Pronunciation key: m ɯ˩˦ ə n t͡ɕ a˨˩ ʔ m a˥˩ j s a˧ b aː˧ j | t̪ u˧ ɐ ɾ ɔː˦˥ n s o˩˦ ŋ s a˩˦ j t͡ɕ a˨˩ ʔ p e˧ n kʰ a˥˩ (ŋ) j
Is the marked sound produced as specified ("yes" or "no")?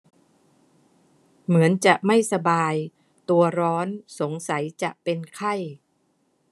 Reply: no